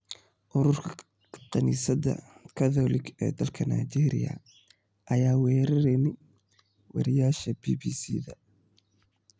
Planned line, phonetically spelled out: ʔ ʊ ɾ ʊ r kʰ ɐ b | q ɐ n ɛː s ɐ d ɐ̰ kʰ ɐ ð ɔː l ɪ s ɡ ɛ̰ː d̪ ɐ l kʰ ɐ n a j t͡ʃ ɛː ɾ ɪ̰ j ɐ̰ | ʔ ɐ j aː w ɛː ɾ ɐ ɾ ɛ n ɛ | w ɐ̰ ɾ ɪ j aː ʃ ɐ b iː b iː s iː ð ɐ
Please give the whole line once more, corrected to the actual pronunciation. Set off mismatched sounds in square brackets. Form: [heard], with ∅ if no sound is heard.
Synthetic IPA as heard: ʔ ʊ ɾ ʊ r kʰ ɐ [∅] | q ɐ n [iː] s ɐ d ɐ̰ kʰ ɐ ð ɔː l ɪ [∅] ɡ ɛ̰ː d̪ ɐ l kʰ ɐ n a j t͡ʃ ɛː ɾ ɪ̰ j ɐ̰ | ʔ ɐ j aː w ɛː ɾ ɐ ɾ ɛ n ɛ | w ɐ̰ ɾ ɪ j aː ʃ ɐ b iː b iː s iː ð ɐ